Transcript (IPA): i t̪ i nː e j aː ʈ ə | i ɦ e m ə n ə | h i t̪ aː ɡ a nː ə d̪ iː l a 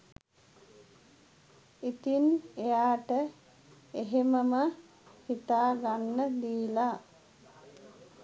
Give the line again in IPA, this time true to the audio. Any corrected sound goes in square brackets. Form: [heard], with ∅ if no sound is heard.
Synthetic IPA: i t̪ i [n] e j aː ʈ ə | [e] ɦ e m ə [m] ə | h i t̪ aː ɡ a nː ə d̪ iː l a